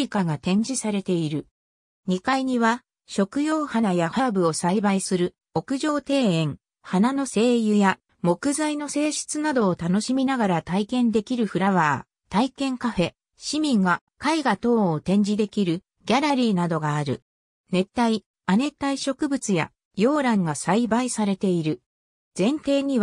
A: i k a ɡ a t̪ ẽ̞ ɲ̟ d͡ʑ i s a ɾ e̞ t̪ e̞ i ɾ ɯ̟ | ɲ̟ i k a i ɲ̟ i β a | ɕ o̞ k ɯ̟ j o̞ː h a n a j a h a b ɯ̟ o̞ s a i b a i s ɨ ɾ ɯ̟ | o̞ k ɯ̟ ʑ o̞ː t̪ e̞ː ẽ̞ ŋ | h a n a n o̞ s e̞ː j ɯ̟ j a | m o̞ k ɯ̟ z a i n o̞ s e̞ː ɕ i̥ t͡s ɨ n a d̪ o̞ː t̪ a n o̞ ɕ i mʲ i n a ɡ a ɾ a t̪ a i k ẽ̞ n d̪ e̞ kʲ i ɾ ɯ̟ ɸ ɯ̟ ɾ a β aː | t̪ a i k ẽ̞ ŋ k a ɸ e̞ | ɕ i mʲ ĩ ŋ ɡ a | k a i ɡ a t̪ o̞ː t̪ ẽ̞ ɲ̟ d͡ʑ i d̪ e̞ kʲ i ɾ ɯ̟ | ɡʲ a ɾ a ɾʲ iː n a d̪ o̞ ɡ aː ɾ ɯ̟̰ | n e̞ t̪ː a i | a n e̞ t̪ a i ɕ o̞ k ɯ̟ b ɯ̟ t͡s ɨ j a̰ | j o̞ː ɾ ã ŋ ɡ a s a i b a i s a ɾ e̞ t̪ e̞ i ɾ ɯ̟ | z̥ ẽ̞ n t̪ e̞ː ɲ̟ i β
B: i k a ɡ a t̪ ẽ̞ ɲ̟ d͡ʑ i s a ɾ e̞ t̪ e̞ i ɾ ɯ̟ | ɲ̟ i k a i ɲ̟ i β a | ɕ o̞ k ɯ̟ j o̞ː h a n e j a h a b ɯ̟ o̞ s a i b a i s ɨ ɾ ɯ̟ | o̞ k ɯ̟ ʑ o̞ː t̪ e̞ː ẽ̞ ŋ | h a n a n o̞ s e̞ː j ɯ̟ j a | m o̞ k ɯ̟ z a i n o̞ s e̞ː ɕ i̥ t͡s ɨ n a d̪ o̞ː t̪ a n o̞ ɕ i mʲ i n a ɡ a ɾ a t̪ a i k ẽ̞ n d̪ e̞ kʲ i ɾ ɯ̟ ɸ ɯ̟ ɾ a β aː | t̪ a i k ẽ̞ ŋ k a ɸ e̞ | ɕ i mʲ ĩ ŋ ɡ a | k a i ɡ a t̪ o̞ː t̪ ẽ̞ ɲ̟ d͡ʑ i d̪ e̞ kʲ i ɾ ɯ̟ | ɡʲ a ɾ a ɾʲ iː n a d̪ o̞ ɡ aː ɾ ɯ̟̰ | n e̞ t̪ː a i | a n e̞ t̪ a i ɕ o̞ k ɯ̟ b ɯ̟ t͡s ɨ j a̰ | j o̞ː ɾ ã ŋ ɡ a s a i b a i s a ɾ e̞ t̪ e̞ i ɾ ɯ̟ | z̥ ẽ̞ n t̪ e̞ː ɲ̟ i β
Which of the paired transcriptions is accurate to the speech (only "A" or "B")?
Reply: A